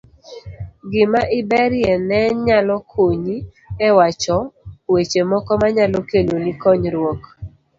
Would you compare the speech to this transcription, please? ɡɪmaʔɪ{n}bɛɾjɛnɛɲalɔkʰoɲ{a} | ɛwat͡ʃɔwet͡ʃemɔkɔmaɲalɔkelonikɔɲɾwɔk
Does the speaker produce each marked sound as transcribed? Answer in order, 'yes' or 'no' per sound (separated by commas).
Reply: no, no